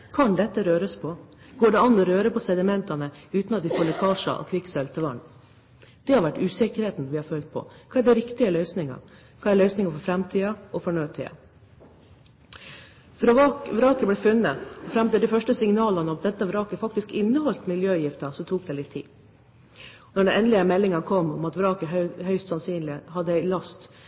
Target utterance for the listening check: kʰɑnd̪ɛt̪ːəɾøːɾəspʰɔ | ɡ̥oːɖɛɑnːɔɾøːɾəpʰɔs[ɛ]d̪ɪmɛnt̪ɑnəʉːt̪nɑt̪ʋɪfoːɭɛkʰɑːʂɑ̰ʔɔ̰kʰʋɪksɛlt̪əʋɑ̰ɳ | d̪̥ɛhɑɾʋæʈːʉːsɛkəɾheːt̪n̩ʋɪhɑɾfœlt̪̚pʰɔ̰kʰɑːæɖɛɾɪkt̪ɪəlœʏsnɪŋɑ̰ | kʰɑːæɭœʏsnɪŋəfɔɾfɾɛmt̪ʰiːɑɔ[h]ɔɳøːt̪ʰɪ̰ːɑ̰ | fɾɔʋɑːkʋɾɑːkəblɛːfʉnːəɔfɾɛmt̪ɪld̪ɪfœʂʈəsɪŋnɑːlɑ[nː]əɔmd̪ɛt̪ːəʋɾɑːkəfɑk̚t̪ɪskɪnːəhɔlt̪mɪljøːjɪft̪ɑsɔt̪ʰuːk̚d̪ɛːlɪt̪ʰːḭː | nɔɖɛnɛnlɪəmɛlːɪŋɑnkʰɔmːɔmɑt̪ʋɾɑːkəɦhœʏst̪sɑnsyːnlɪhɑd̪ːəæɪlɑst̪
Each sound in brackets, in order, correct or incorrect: correct, incorrect, incorrect

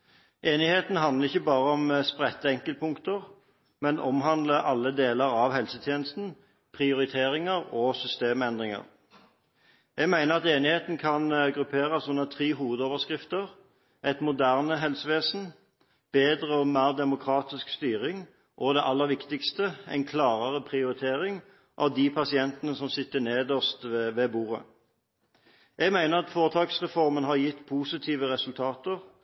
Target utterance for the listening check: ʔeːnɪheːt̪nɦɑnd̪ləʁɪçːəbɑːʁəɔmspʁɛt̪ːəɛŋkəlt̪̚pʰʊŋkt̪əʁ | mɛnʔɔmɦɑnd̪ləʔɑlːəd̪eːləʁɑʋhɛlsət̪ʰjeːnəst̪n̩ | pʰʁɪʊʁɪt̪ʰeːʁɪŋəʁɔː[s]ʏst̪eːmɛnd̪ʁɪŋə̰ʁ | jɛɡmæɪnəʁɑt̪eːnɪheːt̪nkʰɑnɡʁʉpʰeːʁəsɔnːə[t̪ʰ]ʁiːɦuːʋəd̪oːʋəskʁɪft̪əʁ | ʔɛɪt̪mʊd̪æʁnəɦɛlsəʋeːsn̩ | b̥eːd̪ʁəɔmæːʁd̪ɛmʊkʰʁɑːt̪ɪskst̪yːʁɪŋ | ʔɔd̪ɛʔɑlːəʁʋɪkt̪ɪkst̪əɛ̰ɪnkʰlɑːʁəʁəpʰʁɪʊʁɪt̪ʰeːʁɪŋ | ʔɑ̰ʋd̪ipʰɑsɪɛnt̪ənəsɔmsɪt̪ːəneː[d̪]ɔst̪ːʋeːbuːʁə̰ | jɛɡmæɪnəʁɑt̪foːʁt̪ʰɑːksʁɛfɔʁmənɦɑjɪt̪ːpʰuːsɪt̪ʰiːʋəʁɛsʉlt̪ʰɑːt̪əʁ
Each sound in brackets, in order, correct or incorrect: correct, correct, correct

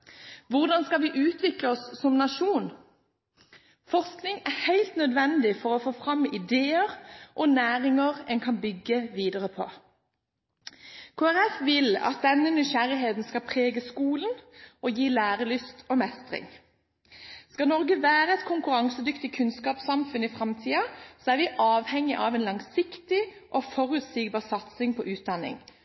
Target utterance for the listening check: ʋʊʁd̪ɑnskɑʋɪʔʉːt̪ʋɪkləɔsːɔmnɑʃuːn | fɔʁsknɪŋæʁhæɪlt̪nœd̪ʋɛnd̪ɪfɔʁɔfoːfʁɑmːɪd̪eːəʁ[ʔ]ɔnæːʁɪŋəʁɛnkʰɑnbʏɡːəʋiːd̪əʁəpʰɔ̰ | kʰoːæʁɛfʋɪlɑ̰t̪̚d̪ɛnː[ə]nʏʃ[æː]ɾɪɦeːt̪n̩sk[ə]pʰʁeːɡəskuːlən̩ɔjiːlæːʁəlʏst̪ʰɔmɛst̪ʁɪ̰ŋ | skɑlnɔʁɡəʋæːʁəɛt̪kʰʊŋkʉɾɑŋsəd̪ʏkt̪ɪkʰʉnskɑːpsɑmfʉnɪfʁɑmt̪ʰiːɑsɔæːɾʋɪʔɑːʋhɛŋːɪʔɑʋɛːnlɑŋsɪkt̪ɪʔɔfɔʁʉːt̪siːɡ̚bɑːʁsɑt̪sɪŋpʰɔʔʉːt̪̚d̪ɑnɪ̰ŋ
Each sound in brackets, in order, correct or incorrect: correct, correct, incorrect, incorrect

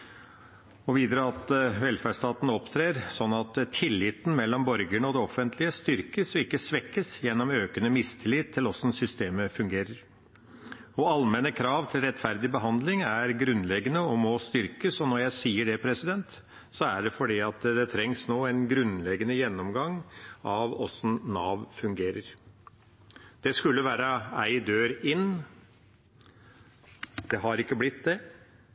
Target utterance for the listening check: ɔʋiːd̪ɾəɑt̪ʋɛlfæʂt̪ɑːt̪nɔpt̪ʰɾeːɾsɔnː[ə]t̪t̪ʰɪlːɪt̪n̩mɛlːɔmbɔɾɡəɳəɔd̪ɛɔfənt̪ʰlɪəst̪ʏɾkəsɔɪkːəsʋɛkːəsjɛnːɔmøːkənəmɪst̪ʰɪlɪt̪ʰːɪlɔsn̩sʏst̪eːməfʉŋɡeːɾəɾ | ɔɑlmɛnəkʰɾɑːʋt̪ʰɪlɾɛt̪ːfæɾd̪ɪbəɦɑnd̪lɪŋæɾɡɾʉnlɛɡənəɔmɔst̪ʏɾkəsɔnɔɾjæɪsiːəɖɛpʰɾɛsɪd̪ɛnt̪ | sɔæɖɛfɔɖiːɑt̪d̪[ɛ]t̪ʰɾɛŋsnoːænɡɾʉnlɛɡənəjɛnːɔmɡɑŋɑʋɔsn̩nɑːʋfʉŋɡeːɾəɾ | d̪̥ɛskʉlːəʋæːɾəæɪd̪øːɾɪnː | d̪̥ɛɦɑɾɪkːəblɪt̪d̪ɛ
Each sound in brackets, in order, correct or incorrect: incorrect, correct

